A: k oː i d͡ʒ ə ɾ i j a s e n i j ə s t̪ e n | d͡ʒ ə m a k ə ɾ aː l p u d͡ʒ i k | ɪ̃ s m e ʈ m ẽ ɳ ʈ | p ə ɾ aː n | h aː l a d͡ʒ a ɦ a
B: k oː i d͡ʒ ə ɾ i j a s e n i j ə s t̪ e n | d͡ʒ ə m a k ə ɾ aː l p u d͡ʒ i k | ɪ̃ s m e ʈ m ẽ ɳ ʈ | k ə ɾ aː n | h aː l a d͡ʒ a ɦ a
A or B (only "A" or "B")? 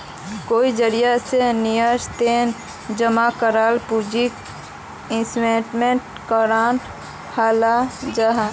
B